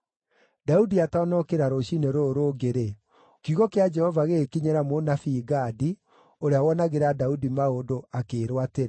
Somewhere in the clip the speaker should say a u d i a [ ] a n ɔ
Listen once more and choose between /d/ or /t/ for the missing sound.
t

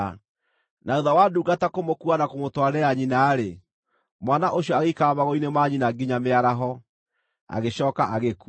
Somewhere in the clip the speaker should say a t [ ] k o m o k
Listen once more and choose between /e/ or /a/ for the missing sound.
a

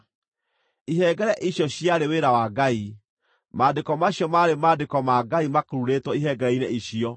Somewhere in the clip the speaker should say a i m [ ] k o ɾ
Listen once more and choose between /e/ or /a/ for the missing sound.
a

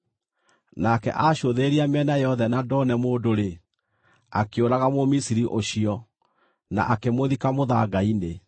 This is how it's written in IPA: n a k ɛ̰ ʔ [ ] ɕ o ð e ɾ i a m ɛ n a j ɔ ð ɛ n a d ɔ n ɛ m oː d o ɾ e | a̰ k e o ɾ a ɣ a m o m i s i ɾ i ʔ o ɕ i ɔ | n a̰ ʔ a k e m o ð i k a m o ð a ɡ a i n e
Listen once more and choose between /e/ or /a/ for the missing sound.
a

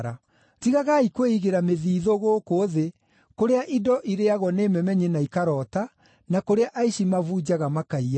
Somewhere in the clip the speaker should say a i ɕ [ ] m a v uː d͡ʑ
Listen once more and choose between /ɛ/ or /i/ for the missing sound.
i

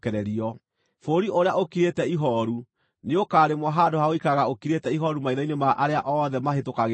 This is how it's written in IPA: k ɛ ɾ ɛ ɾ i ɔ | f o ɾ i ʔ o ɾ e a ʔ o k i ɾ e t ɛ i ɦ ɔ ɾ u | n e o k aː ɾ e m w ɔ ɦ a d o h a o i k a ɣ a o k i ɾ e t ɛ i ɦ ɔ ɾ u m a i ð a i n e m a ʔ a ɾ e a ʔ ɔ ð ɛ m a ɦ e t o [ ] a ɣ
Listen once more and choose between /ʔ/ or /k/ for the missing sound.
k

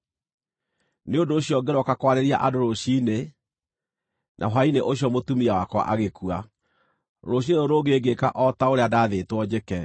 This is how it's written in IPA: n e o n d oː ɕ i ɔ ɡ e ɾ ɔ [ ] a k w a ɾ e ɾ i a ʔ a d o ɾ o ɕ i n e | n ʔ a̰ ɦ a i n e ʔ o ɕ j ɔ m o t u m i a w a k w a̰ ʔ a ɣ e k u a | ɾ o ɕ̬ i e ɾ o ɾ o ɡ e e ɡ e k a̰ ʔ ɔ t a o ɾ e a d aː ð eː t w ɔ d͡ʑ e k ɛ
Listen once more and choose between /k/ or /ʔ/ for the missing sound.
k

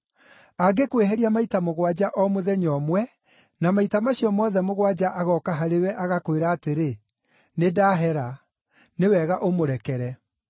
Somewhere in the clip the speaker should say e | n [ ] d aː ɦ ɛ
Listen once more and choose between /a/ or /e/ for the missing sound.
e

